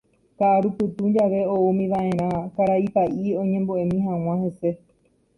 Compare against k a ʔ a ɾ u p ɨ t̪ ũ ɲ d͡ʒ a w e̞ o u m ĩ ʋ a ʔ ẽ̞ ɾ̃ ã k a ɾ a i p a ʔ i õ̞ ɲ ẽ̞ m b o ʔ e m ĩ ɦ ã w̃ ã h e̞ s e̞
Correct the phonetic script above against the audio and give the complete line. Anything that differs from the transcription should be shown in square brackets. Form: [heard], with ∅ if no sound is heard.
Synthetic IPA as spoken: k a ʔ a ɾ u p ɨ t̪ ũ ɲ d͡ʒ a [ʋ] e̞ o u m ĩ ʋ a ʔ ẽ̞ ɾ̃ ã k a ɾ a i p a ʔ i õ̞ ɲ ẽ̞ m b o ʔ e m ĩ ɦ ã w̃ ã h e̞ s e̞